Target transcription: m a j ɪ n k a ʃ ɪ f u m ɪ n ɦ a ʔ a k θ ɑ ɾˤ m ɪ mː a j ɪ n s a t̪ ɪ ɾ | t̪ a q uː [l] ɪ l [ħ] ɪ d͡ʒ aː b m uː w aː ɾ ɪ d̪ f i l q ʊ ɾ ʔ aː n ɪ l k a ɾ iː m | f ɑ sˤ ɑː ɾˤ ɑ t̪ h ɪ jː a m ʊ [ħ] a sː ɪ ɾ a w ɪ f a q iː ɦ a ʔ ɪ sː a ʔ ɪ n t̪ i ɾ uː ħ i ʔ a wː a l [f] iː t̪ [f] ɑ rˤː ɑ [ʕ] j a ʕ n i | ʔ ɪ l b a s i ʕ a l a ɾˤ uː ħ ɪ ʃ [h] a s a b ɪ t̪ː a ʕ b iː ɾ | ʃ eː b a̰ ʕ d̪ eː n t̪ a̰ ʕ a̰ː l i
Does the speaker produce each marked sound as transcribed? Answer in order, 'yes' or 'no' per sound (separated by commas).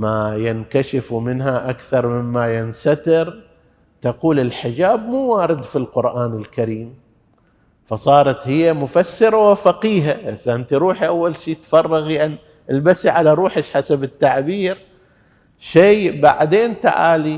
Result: yes, yes, no, no, yes, no, no